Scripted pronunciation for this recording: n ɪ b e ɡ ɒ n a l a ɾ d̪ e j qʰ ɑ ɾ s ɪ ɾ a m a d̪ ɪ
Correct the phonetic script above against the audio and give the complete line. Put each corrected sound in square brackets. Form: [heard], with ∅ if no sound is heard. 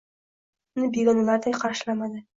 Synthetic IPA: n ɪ b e ɡ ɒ n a l a ɾ d̪ [a] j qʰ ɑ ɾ [ʃ] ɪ [l] a m a d̪ ɪ